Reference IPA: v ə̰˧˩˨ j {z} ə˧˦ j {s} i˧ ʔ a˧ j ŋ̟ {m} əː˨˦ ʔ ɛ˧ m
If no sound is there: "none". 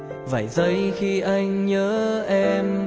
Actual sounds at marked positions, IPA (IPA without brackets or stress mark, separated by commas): z, x, ɲ